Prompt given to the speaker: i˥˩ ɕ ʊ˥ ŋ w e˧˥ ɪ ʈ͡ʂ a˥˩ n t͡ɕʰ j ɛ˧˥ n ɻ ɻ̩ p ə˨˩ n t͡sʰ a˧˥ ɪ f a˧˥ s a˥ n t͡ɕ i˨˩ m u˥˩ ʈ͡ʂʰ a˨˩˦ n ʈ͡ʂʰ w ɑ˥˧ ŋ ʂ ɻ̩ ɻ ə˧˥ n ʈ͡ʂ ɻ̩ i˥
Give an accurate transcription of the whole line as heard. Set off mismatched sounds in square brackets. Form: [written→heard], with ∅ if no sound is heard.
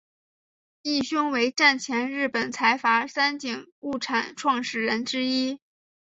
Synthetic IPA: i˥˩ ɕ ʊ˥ ŋ w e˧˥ ɪ ʈ͡ʂ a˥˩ n t͡ɕʰ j ɛ˧˥ n ɻ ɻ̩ p ə˨˩ n t͡sʰ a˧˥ ɪ f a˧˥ s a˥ n t͡ɕ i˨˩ [m→ŋ] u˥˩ ʈ͡ʂʰ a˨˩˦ n ʈ͡ʂʰ w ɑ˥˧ ŋ ʂ ɻ̩ ɻ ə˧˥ n ʈ͡ʂ ɻ̩ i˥